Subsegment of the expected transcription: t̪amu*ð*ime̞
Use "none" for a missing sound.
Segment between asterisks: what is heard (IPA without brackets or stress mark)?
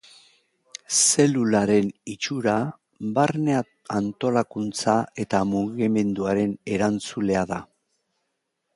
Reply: ɣ